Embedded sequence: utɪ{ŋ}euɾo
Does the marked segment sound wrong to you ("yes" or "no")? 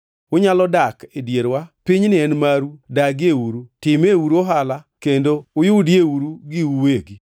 yes